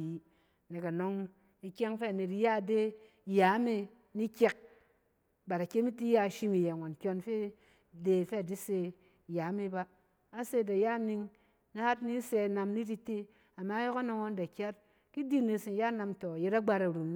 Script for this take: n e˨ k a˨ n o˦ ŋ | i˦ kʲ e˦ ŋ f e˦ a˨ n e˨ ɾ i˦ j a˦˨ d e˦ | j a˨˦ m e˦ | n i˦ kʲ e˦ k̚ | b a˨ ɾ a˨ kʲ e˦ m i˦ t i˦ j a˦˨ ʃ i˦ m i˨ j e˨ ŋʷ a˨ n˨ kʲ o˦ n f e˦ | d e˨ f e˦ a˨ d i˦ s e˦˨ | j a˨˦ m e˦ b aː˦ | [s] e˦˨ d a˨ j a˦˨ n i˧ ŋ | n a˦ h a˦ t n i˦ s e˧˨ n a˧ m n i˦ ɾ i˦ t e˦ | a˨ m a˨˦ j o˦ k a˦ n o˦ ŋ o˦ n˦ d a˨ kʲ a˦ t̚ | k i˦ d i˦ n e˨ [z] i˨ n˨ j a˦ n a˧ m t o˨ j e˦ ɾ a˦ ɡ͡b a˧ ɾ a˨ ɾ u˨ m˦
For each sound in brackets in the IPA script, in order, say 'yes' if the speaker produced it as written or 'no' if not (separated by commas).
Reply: yes, no